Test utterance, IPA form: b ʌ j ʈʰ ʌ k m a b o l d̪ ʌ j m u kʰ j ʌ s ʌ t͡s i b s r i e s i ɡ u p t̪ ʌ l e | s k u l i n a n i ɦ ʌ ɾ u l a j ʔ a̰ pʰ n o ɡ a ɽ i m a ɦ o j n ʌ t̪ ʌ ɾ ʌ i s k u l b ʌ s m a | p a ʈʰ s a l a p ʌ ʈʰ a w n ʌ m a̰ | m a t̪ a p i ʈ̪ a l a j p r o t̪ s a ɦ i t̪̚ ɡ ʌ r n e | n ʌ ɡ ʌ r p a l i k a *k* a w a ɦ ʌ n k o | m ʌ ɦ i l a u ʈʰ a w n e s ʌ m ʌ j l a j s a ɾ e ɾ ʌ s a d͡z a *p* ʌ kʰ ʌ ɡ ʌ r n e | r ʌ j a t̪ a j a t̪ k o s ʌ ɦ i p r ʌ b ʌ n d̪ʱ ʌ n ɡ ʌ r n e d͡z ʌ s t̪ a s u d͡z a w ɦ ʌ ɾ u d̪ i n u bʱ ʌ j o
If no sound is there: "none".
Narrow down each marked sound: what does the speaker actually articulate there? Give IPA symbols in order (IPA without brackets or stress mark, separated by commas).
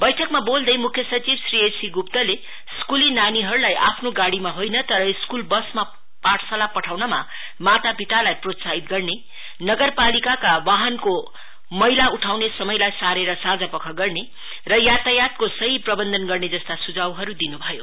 k, p